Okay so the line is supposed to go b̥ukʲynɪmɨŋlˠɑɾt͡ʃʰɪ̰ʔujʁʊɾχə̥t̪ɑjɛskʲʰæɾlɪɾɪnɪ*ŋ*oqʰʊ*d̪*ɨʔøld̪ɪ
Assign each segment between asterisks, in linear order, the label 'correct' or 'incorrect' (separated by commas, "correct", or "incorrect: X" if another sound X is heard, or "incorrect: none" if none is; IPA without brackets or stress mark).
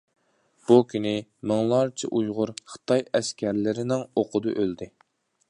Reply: correct, correct